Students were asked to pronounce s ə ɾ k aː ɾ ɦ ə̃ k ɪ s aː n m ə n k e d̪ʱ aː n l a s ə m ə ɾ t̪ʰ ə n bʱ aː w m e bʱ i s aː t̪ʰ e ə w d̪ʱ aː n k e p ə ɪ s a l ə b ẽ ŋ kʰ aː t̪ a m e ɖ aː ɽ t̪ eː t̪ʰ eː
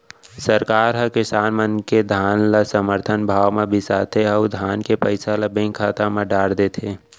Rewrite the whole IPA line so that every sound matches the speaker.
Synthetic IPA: s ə ɾ k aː ɾ ɦ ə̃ k ɪ s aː n m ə n k e d̪ʱ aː n l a s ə m ə ɾ t̪ʰ ə n bʱ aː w m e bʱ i s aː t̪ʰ e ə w d̪ʱ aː n k e p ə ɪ s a l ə b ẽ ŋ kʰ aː t̪ a m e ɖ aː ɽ d̪ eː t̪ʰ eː